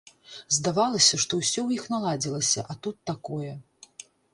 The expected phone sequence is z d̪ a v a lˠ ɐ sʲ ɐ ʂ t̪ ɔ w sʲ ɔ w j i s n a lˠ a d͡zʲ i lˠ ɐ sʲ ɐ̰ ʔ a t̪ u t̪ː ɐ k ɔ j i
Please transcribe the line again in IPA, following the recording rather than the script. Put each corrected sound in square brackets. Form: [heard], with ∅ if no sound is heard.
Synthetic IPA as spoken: z d̪ a v a lˠ ɐ sʲ ɐ ʂ t̪ ɔ w sʲ ɔ w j i [x] n a lˠ a d͡zʲ i lˠ ɐ sʲ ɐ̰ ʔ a t̪ u t̪ː [a] k ɔ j [ɛ]